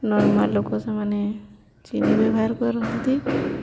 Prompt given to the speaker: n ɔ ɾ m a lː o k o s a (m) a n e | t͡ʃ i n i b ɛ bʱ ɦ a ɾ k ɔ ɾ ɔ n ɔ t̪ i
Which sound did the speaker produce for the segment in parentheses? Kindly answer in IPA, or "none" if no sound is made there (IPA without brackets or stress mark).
m